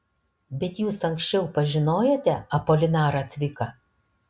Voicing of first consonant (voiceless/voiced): voiced